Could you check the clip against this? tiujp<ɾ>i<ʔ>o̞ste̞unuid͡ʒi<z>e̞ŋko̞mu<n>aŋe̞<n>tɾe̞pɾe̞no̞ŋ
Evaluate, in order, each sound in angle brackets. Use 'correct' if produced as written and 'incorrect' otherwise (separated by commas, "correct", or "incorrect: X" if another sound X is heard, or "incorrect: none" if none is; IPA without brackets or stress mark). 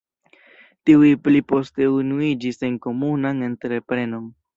incorrect: l, incorrect: p, incorrect: s, correct, correct